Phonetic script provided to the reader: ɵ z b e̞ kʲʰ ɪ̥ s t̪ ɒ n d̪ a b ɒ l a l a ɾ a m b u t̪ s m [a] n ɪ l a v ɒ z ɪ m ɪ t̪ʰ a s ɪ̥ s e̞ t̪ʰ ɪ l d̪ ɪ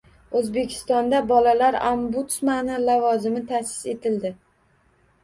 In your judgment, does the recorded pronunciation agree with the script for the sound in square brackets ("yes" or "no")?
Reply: yes